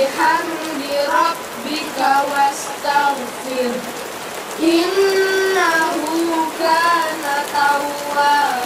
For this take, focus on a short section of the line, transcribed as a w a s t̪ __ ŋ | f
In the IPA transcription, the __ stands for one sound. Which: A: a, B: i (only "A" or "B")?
A